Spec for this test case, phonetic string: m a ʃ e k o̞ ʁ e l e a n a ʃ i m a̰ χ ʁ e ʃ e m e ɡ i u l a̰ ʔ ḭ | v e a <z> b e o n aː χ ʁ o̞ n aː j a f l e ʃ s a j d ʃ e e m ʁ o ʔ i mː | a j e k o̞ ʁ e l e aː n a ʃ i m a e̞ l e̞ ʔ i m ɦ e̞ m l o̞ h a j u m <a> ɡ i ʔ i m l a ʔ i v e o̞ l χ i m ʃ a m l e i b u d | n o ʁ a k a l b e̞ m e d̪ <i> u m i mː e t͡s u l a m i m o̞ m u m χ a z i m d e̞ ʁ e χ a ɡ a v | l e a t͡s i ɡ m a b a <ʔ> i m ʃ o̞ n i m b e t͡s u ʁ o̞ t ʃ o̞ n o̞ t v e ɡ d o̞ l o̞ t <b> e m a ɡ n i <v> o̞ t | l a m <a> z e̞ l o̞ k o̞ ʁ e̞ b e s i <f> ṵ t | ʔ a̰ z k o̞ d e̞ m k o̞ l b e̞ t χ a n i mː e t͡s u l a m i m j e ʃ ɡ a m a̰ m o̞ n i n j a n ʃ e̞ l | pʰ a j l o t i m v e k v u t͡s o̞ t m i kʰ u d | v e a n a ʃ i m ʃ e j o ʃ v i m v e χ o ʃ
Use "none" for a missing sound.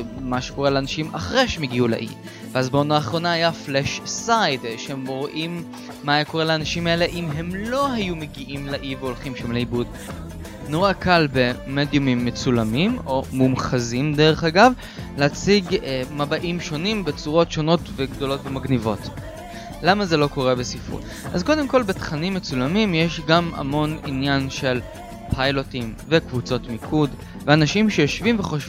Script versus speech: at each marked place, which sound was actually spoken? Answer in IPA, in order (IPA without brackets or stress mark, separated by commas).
z, e, j, ʔ, v, v, a, f